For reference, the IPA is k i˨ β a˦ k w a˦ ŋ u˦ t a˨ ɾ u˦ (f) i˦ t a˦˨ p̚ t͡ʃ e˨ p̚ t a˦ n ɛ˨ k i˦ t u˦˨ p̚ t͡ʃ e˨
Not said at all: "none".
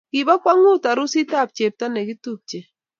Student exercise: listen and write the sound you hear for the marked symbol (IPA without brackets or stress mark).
s